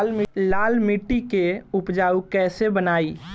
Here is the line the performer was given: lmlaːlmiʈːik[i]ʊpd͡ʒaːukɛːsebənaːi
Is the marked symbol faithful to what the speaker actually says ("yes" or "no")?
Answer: no